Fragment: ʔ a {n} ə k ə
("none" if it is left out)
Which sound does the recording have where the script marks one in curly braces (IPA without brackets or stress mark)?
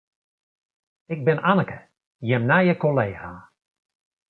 n